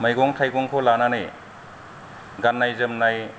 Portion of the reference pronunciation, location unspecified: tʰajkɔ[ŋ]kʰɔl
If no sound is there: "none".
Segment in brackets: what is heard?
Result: ŋ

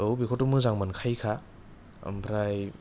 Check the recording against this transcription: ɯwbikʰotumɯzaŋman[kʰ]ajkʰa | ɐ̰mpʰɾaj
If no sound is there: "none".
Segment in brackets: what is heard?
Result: kʰ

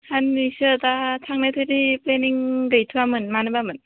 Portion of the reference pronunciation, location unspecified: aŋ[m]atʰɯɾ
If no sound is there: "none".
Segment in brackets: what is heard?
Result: n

